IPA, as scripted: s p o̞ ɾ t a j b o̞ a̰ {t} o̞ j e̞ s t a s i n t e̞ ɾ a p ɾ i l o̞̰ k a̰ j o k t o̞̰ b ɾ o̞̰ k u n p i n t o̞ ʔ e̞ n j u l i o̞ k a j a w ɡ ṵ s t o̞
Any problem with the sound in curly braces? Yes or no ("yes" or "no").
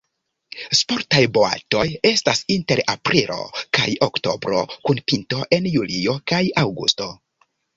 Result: no